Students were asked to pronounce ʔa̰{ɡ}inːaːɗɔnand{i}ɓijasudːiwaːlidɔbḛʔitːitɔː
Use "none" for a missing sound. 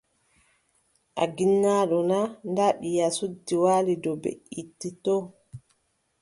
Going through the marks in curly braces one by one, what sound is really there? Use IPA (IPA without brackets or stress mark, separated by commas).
ɡ, a